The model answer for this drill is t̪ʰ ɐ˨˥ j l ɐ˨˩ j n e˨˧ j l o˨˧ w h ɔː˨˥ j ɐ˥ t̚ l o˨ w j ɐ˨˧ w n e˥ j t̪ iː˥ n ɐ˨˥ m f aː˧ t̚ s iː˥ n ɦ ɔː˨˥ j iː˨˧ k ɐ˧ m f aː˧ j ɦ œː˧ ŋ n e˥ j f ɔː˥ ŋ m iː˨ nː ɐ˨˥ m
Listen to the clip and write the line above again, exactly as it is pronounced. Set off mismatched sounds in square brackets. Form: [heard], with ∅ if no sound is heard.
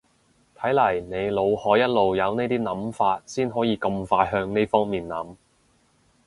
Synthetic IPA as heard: t̪ʰ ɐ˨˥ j l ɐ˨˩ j n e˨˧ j l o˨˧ w h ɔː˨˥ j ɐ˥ t̚ l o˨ w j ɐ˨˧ w n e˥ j t̪ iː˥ n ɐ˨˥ m f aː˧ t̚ s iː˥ n ɦ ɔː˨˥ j iː˨˧ k ɐ˧ m f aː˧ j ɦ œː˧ ŋ n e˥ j f ɔː˥ ŋ m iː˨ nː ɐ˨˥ m

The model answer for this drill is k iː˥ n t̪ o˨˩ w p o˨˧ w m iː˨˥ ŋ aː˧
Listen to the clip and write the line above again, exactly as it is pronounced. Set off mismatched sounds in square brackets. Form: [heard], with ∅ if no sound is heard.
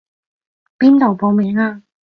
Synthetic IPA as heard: [p] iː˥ n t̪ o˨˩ w p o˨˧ w m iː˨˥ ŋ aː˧

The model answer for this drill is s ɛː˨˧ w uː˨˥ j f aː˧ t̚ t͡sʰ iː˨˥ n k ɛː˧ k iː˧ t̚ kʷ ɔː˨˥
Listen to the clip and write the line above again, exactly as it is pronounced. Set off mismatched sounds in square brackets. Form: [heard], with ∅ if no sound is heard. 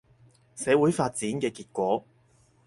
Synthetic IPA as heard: s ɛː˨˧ w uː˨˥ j f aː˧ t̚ [t͡s] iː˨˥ n k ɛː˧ k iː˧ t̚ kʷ ɔː˨˥

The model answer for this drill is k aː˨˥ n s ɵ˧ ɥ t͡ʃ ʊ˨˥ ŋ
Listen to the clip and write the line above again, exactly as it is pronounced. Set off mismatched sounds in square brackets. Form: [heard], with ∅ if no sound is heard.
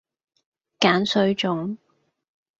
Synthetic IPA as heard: k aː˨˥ n s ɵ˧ ɥ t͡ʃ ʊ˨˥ ŋ

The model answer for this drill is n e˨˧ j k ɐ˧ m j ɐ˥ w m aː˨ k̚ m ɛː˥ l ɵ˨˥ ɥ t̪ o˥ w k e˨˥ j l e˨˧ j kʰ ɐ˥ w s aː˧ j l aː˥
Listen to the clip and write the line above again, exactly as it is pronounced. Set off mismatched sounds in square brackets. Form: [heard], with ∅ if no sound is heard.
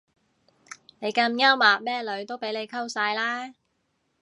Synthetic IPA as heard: n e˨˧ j k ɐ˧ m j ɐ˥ w m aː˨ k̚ m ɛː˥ l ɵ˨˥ ɥ t̪ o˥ w [p] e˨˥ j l e˨˧ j kʰ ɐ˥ w s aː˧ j l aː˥

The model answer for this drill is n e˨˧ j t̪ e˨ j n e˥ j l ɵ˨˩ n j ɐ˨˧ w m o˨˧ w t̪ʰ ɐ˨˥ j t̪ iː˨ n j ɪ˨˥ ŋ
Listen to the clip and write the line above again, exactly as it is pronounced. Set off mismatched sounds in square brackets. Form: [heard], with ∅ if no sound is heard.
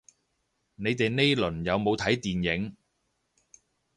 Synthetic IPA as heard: n e˨˧ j t̪ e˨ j n e˥ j l ɵ˨˩ n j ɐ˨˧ w m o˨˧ w t̪ʰ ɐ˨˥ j t̪ iː˨ n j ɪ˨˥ ŋ

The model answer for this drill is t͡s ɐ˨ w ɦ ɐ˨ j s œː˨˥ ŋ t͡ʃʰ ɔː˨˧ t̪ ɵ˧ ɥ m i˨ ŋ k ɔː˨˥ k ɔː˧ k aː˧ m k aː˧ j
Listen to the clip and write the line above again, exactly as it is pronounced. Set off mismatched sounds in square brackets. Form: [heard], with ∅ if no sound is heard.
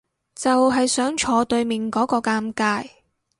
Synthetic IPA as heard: t͡s ɐ˨ w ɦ ɐ˨ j s œː˨˥ ŋ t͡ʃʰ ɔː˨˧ t̪ ɵ˧ ɥ m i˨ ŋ k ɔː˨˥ k ɔː˧ k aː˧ m k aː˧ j

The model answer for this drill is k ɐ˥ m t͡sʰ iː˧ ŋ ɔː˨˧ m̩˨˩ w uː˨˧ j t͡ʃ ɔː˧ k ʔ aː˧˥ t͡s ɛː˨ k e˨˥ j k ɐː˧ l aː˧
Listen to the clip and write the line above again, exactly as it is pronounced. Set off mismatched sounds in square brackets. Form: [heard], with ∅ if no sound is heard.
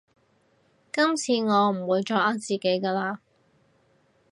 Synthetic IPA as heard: k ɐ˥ m t͡sʰ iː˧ ŋ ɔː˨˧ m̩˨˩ w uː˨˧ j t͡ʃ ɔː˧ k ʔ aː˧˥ t͡s [iː˨] k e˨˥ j k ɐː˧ l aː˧

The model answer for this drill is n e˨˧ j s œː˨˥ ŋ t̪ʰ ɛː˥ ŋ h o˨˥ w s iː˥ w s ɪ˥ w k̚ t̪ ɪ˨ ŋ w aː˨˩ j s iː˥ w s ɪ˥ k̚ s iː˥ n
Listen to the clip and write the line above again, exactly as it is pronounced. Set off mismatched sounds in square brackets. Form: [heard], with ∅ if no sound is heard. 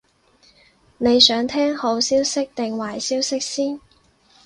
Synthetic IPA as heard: n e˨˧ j s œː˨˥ ŋ t̪ʰ ɛː˥ ŋ h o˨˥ w s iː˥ w s ɪ˥ [∅] k̚ t̪ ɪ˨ ŋ w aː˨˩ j s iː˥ w s ɪ˥ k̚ s iː˥ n

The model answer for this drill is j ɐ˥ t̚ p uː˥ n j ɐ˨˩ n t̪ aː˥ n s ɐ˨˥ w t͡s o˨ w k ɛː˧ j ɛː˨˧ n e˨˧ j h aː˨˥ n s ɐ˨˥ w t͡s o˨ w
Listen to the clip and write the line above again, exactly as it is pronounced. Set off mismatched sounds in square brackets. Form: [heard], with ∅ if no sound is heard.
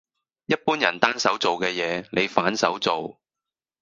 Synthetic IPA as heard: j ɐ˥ t̚ p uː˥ n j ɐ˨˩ n t̪ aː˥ n s ɐ˨˥ w t͡s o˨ w k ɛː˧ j ɛː˨˧ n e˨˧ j [f] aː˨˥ n s ɐ˨˥ w t͡s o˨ w

